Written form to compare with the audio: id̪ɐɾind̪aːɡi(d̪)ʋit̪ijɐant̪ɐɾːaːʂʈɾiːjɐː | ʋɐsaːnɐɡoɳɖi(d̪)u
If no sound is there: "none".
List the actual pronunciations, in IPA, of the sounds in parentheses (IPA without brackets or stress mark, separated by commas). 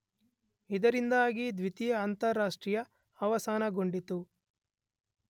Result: d̪, t̪